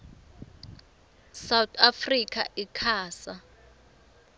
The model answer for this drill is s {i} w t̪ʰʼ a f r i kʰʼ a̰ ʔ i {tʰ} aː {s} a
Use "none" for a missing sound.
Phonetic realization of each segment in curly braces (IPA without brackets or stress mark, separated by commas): a, kʰ, s